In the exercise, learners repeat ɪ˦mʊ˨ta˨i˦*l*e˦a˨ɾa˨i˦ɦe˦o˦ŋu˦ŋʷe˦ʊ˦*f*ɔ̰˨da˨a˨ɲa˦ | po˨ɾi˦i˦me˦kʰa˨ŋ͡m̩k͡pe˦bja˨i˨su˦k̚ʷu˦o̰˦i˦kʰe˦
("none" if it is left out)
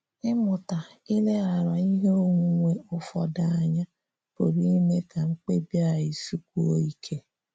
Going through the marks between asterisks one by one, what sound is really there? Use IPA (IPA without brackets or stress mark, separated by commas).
l, f